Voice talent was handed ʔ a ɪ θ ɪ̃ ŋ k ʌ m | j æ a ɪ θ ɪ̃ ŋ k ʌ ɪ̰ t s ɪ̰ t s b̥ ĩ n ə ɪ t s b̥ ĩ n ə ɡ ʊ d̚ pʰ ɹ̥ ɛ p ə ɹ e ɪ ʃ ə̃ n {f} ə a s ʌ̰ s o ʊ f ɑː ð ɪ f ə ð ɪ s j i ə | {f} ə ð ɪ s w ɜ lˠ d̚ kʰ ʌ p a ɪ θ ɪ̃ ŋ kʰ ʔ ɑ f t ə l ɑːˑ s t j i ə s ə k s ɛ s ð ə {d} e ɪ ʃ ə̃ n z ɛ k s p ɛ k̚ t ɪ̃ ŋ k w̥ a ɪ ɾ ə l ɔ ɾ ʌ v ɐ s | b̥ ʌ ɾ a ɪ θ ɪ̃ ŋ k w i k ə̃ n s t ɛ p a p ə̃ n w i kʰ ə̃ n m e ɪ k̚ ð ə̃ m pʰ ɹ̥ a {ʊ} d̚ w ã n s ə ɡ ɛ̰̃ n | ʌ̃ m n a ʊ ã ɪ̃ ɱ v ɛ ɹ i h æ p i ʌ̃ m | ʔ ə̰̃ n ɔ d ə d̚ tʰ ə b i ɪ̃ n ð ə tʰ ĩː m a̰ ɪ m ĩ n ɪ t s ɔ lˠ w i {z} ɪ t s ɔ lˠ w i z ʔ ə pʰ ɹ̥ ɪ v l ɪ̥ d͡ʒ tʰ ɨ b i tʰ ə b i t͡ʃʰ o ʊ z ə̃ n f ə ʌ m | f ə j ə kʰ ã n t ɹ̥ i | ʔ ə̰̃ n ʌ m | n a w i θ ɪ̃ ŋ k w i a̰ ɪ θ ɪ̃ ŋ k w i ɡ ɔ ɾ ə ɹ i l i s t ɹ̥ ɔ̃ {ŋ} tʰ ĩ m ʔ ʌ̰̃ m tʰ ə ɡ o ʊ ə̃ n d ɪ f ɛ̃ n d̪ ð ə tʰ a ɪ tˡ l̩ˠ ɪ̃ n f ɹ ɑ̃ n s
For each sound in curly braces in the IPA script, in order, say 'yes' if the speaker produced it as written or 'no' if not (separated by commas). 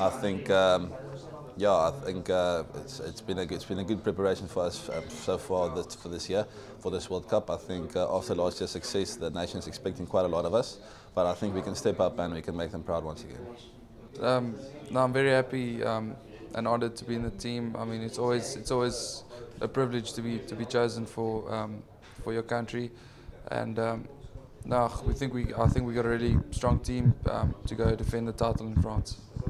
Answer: yes, yes, no, yes, yes, yes